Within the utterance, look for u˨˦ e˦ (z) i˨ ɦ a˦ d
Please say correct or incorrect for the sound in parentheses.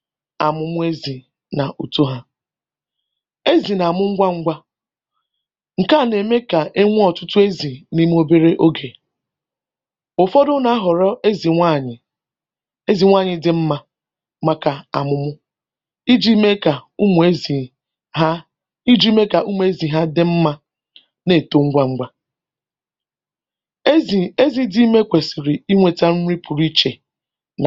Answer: correct